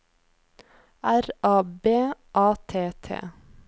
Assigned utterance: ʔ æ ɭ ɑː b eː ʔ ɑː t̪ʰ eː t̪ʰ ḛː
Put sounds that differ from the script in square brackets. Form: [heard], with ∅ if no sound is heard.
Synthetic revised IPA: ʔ æ [ɾ] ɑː b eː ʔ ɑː t̪ʰ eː t̪ʰ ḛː